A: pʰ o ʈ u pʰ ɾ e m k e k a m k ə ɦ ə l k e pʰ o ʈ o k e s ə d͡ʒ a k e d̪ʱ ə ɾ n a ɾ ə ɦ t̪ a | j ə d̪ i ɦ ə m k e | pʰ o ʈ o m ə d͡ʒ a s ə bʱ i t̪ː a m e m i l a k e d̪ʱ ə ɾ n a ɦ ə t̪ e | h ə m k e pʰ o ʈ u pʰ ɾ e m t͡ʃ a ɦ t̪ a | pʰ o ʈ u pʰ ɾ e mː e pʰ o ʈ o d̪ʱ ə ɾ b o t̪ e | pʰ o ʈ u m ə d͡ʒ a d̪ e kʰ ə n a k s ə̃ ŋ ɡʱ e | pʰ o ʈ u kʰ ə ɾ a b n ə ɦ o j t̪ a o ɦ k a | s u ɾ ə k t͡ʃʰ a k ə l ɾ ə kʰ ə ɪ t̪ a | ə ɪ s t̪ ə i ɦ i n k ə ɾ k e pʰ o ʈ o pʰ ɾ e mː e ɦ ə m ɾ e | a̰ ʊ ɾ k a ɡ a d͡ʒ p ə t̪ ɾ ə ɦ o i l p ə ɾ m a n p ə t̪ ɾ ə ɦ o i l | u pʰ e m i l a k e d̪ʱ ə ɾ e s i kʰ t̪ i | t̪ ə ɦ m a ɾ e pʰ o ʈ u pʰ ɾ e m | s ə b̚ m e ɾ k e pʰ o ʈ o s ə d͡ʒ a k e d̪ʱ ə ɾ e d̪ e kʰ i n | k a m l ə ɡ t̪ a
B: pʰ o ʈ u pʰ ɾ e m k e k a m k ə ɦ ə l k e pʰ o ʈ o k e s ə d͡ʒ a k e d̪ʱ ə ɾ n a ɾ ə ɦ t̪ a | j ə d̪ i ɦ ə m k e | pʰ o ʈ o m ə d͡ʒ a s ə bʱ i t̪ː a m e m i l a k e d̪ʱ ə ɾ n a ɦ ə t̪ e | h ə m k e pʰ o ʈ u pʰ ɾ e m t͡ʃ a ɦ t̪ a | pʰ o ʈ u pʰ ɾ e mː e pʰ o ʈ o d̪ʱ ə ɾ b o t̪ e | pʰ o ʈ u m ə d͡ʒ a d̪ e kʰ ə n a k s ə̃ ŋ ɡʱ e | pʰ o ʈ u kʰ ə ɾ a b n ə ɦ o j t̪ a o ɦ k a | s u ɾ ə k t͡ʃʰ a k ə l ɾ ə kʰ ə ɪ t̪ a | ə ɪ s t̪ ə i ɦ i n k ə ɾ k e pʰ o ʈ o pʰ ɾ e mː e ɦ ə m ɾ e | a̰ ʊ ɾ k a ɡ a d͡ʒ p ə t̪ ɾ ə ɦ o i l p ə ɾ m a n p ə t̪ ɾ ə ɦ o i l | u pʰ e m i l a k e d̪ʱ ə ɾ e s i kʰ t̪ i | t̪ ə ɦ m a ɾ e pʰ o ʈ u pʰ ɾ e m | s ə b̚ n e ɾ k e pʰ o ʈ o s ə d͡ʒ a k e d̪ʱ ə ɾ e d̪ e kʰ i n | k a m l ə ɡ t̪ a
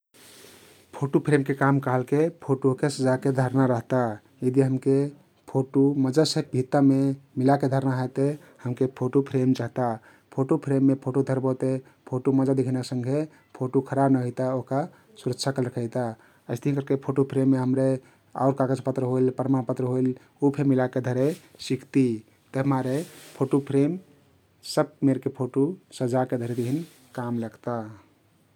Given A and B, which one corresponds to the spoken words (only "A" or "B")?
A